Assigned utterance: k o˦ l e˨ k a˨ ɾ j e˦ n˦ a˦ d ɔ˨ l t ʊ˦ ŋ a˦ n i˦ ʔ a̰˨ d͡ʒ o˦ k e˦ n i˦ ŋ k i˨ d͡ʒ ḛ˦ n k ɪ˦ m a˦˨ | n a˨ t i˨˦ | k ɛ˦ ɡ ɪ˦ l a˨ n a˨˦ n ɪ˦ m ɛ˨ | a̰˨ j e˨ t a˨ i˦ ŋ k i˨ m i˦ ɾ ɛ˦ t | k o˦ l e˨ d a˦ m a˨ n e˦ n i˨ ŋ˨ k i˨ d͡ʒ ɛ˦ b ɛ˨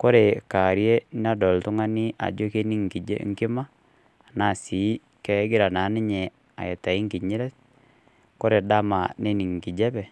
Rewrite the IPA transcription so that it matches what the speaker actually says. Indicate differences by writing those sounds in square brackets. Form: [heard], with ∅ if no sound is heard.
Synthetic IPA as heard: k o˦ [ɾ] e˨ k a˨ ɾ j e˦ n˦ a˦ d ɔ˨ l t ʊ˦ ŋ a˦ n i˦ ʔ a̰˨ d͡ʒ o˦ k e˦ n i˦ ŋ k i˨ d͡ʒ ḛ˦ [ŋ] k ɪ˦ m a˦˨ | n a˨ [s] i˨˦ | k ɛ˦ ɡ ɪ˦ [ɾ] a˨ n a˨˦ n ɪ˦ [ɲ] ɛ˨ | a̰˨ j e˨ t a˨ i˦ ŋ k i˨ [ɲ] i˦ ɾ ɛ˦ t | k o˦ [ɾ] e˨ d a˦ m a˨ n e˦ n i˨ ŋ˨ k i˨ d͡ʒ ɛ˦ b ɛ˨